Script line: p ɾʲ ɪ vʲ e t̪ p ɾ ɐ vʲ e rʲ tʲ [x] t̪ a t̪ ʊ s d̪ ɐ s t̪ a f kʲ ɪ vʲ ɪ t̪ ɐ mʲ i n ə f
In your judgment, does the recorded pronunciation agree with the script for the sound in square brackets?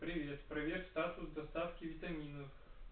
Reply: no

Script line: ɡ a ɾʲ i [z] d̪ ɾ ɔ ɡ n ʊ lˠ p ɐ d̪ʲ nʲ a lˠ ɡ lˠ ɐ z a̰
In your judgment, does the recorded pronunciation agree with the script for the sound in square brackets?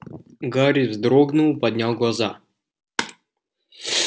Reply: yes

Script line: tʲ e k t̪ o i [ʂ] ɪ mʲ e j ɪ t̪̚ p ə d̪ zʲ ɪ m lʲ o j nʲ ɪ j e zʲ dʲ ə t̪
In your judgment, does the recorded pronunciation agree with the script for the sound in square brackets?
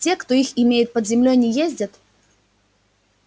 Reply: no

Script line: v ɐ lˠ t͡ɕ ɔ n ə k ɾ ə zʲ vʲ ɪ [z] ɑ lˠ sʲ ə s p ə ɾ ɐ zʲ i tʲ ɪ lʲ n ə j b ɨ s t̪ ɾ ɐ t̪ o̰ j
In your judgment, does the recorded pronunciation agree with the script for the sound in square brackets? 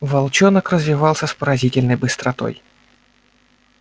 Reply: no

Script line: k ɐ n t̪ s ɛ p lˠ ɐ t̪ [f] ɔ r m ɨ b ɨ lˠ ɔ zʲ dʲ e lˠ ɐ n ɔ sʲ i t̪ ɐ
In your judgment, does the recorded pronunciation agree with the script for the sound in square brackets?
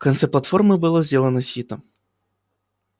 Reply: yes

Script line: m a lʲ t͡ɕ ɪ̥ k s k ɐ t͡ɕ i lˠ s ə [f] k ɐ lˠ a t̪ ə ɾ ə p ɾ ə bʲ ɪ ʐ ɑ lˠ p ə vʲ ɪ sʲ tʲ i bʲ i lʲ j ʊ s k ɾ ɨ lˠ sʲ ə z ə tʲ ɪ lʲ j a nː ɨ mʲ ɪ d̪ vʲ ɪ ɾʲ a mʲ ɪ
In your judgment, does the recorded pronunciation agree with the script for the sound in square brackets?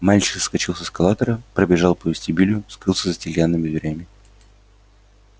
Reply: no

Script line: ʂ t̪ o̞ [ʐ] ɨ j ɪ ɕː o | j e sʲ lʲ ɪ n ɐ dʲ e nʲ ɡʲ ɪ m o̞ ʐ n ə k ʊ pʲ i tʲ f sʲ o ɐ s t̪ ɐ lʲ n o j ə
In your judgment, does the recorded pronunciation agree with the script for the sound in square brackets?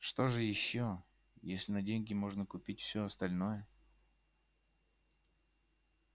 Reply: yes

